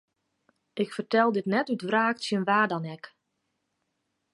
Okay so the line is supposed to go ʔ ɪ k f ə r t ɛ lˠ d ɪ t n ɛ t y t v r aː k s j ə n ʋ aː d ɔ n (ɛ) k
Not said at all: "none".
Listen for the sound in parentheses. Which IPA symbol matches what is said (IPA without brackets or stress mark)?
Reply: ɛ